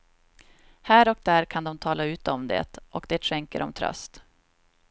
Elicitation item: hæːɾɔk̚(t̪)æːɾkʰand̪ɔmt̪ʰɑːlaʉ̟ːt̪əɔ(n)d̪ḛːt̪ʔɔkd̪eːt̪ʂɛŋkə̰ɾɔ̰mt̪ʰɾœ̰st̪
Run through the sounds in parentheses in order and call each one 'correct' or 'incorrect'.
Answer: incorrect, incorrect

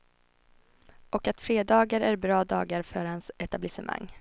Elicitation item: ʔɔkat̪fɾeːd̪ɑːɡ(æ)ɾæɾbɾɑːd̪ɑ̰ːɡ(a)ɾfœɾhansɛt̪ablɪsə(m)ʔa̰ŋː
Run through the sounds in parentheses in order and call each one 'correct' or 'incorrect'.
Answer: incorrect, correct, correct

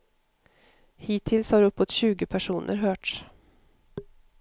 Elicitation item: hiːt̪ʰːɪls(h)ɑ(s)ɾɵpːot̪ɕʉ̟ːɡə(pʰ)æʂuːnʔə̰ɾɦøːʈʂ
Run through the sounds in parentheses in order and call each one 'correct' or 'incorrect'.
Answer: correct, incorrect, correct

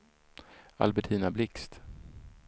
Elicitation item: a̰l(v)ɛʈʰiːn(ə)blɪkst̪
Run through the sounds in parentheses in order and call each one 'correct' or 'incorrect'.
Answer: incorrect, incorrect

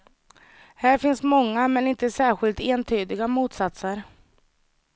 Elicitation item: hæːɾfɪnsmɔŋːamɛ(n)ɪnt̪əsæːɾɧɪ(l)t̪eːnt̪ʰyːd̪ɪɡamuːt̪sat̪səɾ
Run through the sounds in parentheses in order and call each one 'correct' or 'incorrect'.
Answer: correct, correct

